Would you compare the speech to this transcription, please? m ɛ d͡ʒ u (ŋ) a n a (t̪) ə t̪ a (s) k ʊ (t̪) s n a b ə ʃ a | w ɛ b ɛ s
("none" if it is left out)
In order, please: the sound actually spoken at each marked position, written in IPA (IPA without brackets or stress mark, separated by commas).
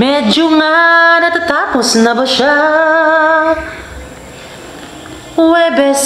ŋ, t̪, none, none